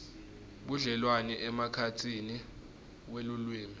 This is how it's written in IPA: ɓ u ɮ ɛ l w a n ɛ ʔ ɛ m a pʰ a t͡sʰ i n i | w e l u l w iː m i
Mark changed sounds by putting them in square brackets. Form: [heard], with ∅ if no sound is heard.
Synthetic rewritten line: ɓ u ɮ ɛ l w a n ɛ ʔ ɛ m a [kʰ] a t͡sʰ i n i | w e l u l w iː m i